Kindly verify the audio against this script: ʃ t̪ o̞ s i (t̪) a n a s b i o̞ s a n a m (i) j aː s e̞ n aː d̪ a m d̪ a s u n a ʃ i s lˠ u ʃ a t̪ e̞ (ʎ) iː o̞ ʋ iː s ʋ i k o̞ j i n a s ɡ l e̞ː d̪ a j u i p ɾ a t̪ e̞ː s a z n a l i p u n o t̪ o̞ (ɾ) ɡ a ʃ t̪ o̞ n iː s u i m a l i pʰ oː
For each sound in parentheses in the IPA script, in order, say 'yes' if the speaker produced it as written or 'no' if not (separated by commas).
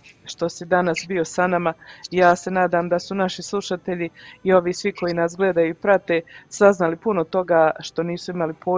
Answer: no, no, yes, no